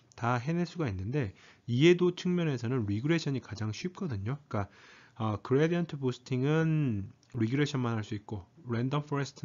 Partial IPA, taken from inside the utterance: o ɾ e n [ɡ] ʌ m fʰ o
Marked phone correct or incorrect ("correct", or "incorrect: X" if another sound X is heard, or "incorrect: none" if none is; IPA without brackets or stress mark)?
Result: incorrect: d